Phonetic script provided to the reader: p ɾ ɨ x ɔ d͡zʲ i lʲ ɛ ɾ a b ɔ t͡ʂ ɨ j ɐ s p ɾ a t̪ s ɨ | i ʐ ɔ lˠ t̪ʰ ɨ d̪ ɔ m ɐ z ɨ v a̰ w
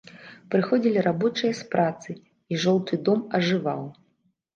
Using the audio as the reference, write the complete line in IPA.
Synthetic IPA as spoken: p ɾ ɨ x ɔ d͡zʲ i lʲ i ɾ a b ɔ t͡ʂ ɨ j ɐ s p ɾ a t̪ s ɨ | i ʐ ɔ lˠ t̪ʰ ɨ d̪ ɔ m ɐ ʐ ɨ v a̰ w